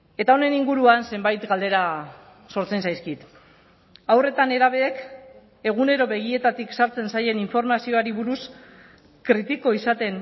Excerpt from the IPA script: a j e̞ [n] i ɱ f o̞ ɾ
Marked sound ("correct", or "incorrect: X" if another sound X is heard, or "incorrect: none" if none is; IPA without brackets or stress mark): correct